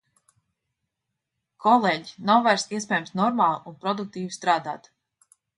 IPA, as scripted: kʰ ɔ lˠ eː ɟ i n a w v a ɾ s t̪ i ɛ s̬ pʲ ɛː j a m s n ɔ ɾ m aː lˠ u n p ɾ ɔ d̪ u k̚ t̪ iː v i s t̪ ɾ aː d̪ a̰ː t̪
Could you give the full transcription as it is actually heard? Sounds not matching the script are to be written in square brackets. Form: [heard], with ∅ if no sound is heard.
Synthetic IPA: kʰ ɔ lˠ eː ɟ i n a w v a ɾ s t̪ i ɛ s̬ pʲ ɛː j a m s n ɔ ɾ m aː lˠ u n p ɾ ɔ d̪ u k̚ t̪ iː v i s t̪ ɾ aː d̪ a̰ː t̪